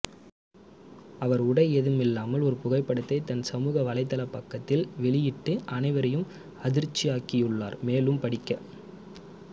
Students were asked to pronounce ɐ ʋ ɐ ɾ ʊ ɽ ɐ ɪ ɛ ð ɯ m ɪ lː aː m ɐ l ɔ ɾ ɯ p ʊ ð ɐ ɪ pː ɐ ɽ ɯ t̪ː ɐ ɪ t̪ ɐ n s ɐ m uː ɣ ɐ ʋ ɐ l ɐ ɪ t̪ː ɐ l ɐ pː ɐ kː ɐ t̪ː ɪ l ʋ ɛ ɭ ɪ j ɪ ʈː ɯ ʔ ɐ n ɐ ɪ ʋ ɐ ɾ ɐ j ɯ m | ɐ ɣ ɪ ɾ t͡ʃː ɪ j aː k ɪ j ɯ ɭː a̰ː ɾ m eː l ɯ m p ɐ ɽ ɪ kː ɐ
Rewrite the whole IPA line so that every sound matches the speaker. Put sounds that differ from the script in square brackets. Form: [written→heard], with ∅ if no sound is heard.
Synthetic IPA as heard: ɐ ʋ ɐ ɾ ʊ ɽ ɐ ɪ ɛ ð ɯ m ɪ lː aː m ɐ l ɔ ɾ ɯ p ʊ [ð→ɣ] ɐ ɪ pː ɐ ɽ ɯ t̪ː ɐ ɪ t̪ ɐ n s ɐ m uː ɣ ɐ ʋ ɐ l ɐ ɪ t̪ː ɐ l ɐ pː ɐ kː ɐ t̪ː ɪ l ʋ ɛ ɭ ɪ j ɪ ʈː ɯ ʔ ɐ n ɐ ɪ ʋ ɐ ɾ ɐ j ɯ m | ɐ [ɣ→ð] ɪ ɾ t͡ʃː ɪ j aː k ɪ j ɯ ɭː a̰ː ɾ m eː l ɯ m p ɐ ɽ ɪ kː ɐ